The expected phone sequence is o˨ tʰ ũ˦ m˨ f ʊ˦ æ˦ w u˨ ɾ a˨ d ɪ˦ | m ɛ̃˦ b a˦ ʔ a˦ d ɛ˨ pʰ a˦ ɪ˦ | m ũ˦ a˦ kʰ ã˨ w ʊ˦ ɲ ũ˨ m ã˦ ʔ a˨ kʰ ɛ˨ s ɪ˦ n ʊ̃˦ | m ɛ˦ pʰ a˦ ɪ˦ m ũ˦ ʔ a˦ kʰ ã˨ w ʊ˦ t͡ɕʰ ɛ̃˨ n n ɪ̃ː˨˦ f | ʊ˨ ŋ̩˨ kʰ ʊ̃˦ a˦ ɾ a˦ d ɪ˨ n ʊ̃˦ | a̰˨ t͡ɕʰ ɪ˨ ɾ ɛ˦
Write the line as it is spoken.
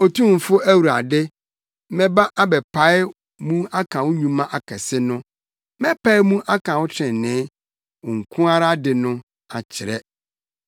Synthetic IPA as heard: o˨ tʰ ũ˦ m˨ f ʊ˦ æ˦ w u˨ ɾ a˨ d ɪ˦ | m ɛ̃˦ b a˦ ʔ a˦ b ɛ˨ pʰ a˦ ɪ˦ | m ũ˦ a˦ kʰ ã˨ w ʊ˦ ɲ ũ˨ m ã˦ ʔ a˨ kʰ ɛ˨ s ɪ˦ n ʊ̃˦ | m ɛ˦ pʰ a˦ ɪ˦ m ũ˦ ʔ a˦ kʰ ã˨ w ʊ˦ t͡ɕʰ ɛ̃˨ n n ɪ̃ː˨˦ | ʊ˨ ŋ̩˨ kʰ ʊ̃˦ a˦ ɾ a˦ d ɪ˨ n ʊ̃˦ | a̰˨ t͡ɕʰ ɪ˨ ɾ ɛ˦